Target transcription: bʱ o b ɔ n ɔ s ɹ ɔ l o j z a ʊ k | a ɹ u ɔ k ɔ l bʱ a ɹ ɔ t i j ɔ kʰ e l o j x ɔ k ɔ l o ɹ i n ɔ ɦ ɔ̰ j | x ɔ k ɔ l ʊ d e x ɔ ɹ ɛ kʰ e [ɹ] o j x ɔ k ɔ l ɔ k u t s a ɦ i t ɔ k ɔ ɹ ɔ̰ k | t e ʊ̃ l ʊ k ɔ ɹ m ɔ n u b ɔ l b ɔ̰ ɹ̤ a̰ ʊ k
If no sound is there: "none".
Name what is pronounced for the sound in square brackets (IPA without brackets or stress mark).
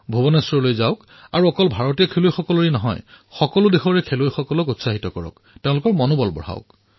l